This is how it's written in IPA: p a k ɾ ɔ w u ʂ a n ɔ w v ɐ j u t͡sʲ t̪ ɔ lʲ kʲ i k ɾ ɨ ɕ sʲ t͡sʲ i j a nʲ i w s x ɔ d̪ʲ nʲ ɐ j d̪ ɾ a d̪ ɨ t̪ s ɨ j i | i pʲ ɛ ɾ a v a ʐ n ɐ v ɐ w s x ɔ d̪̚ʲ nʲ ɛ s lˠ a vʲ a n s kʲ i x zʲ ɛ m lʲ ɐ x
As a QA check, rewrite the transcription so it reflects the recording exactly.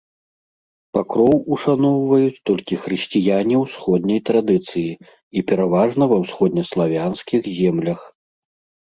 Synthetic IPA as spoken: p a k ɾ ɔ w u ʂ a n ɔ w v ɐ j u t͡sʲ t̪ ɔ lʲ kʲ i x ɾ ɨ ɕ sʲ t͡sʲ i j a nʲ i w s x ɔ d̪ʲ nʲ ɐ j t̪ ɾ a d̪ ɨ t̪ s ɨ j i | i pʲ ɛ ɾ a v a ʐ n ɐ v ɐ w s x ɔ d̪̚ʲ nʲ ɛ s lˠ a vʲ a n s kʲ i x zʲ ɛ m lʲ ɐ x

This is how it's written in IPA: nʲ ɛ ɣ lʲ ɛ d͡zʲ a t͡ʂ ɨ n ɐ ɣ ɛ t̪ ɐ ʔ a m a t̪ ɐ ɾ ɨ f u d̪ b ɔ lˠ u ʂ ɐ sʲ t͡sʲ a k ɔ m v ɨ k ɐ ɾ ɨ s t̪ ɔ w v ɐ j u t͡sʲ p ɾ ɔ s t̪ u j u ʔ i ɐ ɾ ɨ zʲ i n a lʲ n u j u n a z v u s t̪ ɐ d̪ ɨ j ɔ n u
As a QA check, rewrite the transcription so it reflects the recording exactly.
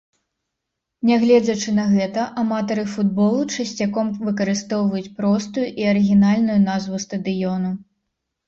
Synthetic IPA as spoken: nʲ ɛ ɣ lʲ ɛ d͡zʲ ɐ t͡ʂ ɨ n ɐ ɣ ɛ t̪ ɐ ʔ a m a t̪ ɐ ɾ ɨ f u d̪ b ɔ lˠ u t͡ʂ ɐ sʲ t͡sʲ a k ɔ m v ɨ k ɐ ɾ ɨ s t̪ ɔ w v ɐ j u t͡sʲ p ɾ ɔ s t̪ u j u ʔ i ɐ ɾ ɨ ɣʲ i n a lʲ n u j u n a z v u s t̪ ɐ d̪ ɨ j ɔ n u

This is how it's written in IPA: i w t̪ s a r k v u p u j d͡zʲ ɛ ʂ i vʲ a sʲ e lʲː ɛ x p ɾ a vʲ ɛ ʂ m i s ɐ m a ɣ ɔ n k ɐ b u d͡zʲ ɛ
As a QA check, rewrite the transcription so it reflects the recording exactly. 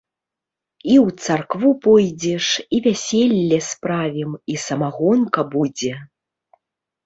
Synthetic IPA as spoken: i w t̪ s a r k v u p ɔ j d͡zʲ ɛ ʂ i vʲ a sʲ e lʲː ɛ s p ɾ a vʲ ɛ m i s ɐ m a ɣ ɔ n k ɐ b u d͡zʲ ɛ

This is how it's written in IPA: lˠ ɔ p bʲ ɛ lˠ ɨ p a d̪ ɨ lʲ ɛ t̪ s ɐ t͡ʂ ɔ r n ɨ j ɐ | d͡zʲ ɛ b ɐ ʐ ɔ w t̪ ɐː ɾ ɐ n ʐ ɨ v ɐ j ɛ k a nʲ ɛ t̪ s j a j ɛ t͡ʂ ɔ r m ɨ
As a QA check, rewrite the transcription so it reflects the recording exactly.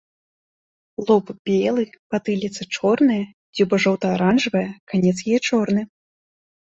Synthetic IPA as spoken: lˠ ɔ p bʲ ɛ lˠ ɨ p a t̪ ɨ lʲ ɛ t̪ s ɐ t͡ʂ ɔ r n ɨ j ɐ | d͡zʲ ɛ b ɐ ʐ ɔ w t̪ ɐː ɾ a n ʐ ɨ v ɐ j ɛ k a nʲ ɛ t̪ s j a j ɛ t͡ʂ ɔ r n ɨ

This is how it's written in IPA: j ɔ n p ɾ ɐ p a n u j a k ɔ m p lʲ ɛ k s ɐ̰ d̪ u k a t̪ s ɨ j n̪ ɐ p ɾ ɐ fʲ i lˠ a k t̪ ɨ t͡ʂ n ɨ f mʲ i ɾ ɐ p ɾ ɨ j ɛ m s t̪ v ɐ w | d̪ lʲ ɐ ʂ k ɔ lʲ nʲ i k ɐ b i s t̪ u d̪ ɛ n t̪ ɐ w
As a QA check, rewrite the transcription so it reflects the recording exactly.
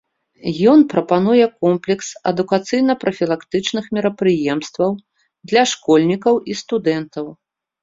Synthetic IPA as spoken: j ɔ n p ɾ ɐ p a n u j ɛ k ɔ m p lʲ ɛ k s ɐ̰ d̪ u k a t̪ s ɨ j n̪ ɐ p ɾ ɐ fʲ i lˠ a k t̪ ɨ t͡ʂ n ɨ x mʲ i ɾ ɐ p ɾ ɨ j ɛ m s t̪ v ɐ w | d̪ lʲ ɐ ʂ k ɔ lʲ nʲ i k ɐ w i s t̪ u d̪ ɛ n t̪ ɐ w

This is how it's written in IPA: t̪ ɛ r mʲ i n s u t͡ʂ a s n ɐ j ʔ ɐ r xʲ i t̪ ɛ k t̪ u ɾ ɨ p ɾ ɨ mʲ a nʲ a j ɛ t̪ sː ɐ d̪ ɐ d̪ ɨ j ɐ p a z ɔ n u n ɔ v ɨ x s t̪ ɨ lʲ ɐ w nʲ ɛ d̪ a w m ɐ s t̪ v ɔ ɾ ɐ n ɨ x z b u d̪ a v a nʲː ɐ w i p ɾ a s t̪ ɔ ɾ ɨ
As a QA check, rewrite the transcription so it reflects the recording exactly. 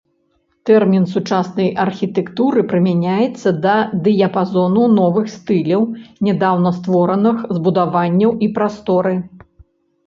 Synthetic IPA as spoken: t̪ ɛ r mʲ i n s u t͡ʂ a s n ɐ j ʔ ɐ r xʲ i t̪ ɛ k t̪ u ɾ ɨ p ɾ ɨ mʲ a nʲ a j ɛ t̪ sː ɐ d̪ ɐ d̪ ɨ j ɐ p a z ɔ n u n ɔ v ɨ x s t̪ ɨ lʲ ɐ w nʲ ɛ d̪ a w n ɐ s t̪ v ɔ ɾ ɐ n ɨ x z b u d̪ a v a nʲː ɐ w i p ɾ a s t̪ ɔ ɾ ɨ

